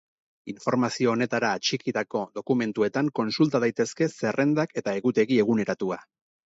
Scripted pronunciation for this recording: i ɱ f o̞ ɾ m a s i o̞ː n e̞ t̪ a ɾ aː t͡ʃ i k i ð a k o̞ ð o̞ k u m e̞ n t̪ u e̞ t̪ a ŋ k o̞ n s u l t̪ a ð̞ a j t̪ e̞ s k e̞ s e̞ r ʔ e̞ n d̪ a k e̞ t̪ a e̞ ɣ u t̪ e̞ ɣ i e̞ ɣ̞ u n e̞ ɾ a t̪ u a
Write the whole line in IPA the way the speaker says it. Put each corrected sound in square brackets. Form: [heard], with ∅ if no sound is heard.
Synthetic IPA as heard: i ɱ f o̞ ɾ m a s i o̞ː n e̞ t̪ a ɾ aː t͡ʃ i k i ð a k o̞ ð o̞ k u m e̞ n t̪ u e̞ t̪ a ŋ k o̞ n s u l t̪ a ð̞ a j t̪ e̞ s k e̞ s e̞ r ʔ e̞ n d̪ a k e̞ t̪ a e̞ ɣ u t̪ e̞ ɣ i e̞ ɣ̞ u n e̞ ɾ a t̪ u a

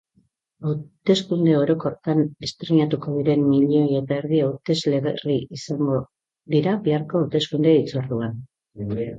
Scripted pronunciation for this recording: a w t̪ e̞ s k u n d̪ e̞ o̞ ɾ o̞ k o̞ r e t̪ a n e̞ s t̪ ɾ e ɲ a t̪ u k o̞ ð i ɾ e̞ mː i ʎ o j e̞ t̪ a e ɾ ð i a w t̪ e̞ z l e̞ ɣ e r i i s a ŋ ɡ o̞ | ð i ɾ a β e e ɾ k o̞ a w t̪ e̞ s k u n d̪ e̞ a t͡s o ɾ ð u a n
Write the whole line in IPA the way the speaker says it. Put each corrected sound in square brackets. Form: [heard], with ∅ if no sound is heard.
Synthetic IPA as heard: a w t̪ e̞ s k u n d̪ e̞ o̞ ɾ o̞ k o̞ r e t̪ a n e̞ s t̪ ɾ e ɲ a t̪ u k o̞ ð i ɾ e̞ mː i ʎ o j e̞ t̪ a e ɾ ð i a w t̪ e̞ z l e̞ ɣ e r i i s a ŋ ɡ o̞ | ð i ɾ a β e [a] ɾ k o̞ a w t̪ e̞ s k u n d̪ e̞ [i] t͡s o ɾ ð u a n

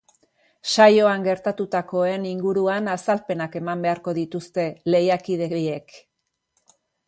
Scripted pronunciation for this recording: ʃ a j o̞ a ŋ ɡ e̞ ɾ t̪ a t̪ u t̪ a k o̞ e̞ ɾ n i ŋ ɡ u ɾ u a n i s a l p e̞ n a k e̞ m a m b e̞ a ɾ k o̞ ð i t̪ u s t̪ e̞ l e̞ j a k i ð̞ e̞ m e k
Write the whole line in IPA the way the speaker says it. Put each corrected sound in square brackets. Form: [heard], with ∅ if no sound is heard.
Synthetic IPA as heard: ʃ a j o̞ a ŋ ɡ e̞ ɾ t̪ a t̪ u t̪ a k o̞ e̞ [∅] n i ŋ ɡ u ɾ u a n [a] s a l p e̞ n a k e̞ m a m b e̞ a ɾ k o̞ ð i t̪ u s t̪ e̞ l e̞ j a k i ð̞ e̞ [∅] e k

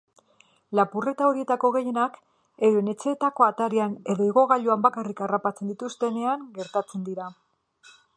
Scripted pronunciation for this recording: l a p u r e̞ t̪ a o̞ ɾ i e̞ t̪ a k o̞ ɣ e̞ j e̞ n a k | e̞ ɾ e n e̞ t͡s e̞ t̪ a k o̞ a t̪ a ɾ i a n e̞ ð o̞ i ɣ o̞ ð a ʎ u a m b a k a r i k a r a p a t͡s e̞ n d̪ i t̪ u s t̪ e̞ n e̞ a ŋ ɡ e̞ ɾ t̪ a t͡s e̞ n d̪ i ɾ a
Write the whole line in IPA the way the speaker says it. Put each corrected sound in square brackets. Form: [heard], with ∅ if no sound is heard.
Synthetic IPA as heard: l a p u r e̞ t̪ a o̞ ɾ i e̞ t̪ a k o̞ ɣ e̞ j e̞ n a k | e̞ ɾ e n e̞ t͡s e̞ t̪ a k o̞ a t̪ a ɾ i a n e̞ ð o̞ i ɣ o̞ [ɣ] a ʎ u a m b a k a r i k a r a p a t͡s e̞ n d̪ i t̪ u s t̪ e̞ n e̞ a ŋ ɡ e̞ ɾ t̪ a t͡s e̞ n d̪ i ɾ a

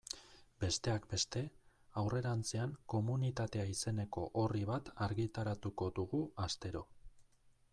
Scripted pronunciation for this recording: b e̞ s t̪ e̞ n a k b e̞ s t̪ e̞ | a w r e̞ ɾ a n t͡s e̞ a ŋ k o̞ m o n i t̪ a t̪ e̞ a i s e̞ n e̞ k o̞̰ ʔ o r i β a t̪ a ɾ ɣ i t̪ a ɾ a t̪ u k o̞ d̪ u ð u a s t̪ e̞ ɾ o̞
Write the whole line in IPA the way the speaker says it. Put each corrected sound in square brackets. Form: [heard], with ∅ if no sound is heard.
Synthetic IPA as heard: b e̞ s t̪ e̞ [∅] a k b e̞ s t̪ e̞ | a w r e̞ ɾ a n t͡s e̞ a ŋ k o̞ m [u] n i t̪ a t̪ e̞ a i s e̞ n e̞ k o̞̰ ʔ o r i β a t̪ a ɾ ɣ i t̪ a ɾ a t̪ u k o̞ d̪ u [ɣ] u a s t̪ e̞ ɾ o̞

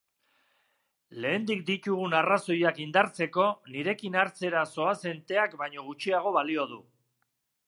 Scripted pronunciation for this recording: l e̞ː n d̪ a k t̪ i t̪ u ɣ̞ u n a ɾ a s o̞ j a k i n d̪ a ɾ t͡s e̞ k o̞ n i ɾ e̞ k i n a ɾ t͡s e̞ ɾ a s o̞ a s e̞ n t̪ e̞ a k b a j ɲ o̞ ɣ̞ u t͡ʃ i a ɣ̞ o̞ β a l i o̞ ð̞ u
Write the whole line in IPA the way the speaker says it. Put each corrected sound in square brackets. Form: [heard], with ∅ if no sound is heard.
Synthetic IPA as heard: l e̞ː n d̪ [i] k [d̪] i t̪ u ɣ̞ u n a [r] a s o̞ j a k i n d̪ a ɾ t͡s e̞ k o̞ n i ɾ e̞ k i n a ɾ t͡s e̞ ɾ a s o̞ a s e̞ n t̪ e̞ a k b a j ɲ o̞ ɣ̞ u t͡ʃ i a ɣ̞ o̞ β a l i o̞ ð̞ u

